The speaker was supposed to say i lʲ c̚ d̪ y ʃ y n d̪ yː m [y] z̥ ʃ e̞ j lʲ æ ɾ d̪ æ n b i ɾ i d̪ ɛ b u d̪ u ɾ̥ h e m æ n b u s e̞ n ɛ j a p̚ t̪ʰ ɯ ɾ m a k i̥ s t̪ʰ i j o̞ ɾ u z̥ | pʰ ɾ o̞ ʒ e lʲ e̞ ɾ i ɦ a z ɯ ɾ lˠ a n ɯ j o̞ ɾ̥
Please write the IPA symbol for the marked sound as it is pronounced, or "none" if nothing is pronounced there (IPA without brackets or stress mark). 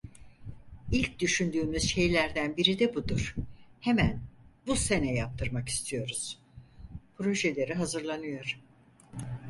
y